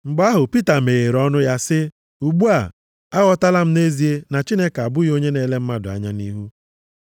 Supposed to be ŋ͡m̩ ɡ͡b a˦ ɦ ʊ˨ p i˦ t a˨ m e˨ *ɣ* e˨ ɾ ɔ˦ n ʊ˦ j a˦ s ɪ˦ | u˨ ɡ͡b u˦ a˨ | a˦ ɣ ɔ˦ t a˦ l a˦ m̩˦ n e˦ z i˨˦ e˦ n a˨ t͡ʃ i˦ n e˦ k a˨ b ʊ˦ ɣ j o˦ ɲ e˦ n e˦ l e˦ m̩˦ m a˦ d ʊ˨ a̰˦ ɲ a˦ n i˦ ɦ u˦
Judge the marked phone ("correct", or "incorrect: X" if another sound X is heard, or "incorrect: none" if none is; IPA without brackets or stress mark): correct